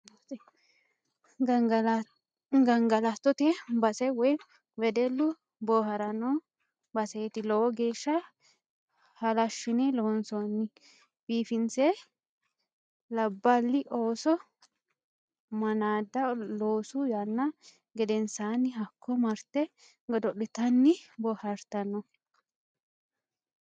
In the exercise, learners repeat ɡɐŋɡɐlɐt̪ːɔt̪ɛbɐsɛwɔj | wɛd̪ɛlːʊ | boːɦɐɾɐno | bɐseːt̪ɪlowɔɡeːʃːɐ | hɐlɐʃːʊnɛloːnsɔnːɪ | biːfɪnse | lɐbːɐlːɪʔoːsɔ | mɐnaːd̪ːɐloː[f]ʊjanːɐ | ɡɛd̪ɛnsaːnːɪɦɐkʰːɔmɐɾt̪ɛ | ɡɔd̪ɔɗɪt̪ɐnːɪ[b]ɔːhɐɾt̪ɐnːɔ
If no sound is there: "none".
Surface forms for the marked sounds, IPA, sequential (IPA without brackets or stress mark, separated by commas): s, b